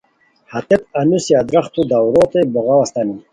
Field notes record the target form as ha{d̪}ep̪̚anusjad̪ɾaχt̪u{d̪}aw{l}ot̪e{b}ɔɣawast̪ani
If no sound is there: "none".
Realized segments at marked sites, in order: t̪, d̪, ɾ, b

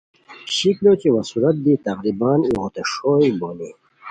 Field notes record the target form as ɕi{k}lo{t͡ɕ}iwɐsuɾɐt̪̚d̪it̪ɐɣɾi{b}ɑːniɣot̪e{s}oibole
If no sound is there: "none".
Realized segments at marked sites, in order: k, t͡ɕ, b, ʂ

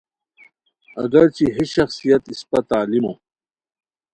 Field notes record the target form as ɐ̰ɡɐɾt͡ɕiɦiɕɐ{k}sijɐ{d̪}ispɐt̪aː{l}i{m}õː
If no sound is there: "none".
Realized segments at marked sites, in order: x, t̪, l, m

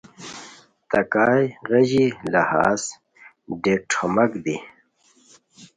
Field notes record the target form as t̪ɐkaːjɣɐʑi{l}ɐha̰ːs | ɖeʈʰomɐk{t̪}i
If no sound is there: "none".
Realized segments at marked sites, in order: l, d̪

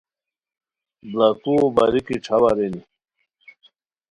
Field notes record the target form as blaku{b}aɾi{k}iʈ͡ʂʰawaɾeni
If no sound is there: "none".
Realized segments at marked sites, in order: b, k

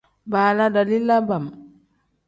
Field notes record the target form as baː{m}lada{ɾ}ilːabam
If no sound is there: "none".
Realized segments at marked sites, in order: none, l

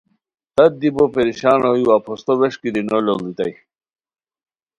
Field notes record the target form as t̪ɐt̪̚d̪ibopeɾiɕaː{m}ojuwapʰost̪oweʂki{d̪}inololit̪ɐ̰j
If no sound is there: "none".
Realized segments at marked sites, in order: n, d̪

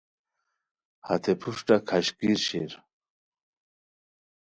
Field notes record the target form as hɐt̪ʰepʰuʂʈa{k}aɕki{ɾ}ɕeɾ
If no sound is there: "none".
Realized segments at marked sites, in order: kʰ, ɾ

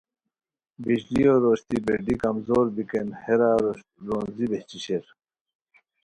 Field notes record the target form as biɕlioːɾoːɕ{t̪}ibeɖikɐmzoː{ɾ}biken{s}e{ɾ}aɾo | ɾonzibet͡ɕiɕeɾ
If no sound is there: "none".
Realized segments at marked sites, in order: t̪, ɾ, h, ɾ

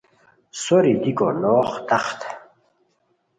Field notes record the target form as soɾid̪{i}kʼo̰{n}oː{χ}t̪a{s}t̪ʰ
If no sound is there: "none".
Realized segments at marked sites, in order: i, n, χ, χ

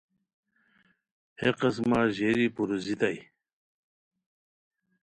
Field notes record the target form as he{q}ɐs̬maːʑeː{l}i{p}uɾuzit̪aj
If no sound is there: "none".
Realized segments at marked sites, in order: q, ɾ, p

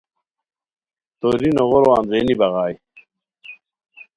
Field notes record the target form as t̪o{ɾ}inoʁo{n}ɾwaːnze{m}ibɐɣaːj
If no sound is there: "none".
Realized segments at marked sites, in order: ɾ, none, n

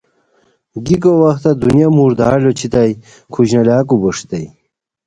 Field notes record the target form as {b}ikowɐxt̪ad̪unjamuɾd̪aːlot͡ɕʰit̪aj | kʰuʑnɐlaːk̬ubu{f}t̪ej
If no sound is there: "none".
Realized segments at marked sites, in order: ɡ, ʂ

